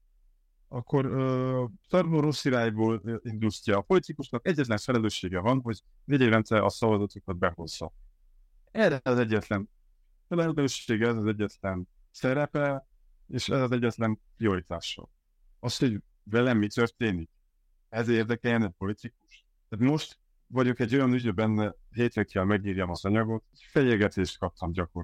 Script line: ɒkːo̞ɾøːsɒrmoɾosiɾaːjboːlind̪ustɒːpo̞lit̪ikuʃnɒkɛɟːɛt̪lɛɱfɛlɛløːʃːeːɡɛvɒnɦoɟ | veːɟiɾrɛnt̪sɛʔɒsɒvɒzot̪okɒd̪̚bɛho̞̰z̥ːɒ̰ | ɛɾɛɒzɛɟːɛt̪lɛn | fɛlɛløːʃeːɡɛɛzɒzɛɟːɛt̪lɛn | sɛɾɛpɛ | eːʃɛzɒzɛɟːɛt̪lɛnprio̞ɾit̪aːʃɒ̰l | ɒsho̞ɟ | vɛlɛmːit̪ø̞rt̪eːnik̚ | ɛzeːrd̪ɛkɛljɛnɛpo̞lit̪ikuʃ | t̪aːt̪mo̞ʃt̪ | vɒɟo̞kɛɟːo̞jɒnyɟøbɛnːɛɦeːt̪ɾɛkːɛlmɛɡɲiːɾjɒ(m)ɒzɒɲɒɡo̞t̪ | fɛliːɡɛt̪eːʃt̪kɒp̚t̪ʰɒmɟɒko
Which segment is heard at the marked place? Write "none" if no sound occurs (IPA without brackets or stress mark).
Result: m